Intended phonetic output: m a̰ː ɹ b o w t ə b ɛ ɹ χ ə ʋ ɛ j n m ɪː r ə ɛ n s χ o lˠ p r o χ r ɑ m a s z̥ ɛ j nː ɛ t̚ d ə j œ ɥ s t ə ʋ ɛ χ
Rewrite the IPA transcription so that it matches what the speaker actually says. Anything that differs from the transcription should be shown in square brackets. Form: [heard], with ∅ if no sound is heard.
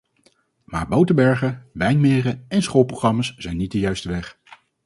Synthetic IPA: m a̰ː ɹ b o w t ə b ɛ ɹ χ ə ʋ ɛ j n m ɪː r ə ɛ n s χ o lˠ p r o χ r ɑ m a s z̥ ɛ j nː [i] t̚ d ə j œ ɥ s t ə ʋ ɛ χ